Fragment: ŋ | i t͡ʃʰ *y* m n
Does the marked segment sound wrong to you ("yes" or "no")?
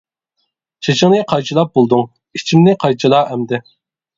yes